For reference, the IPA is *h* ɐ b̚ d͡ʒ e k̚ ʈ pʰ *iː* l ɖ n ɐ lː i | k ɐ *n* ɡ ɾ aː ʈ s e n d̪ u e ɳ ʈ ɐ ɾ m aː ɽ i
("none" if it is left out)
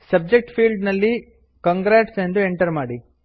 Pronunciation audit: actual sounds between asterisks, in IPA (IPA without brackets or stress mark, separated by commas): s, iː, ŋ